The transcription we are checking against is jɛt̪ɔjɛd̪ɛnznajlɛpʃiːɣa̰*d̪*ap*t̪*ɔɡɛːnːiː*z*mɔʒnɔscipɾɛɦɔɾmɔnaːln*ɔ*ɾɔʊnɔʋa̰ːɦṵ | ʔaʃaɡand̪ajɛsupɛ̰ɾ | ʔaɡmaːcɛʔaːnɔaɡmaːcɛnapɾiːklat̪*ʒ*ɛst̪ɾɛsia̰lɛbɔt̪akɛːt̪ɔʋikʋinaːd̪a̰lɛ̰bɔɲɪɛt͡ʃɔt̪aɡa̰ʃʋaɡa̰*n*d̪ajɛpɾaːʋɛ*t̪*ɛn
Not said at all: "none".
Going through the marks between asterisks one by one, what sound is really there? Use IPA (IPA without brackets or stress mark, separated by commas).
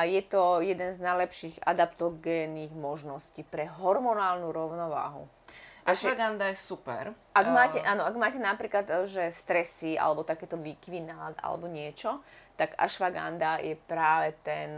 d̪, t̪, ɣ, u, ʒ, n, t̪